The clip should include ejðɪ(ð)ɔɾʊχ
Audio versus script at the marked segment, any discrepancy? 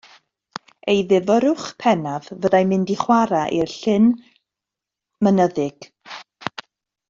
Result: yes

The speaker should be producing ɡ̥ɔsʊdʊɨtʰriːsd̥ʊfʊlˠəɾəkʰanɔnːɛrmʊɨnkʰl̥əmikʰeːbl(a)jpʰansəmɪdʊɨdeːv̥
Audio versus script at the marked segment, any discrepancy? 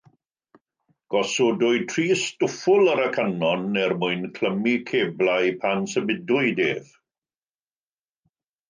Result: no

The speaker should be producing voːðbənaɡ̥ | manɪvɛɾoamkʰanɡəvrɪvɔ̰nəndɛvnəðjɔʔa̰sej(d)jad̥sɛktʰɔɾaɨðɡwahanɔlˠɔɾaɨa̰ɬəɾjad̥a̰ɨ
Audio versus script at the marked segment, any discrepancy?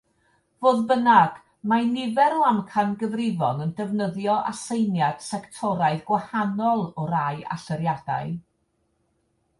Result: yes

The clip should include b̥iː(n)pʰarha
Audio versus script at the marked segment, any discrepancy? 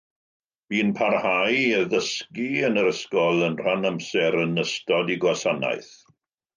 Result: no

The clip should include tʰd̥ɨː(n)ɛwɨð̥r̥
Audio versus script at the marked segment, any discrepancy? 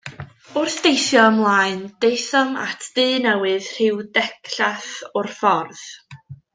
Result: no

